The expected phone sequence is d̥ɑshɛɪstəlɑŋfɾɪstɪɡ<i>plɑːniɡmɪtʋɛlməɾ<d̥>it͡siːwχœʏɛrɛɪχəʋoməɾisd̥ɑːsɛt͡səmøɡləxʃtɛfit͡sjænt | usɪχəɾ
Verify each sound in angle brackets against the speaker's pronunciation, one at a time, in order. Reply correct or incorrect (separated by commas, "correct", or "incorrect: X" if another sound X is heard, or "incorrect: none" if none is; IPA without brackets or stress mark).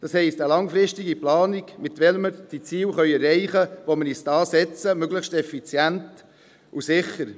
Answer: correct, correct